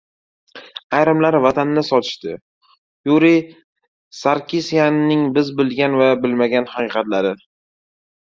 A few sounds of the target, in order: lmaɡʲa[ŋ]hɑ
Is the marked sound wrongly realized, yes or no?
yes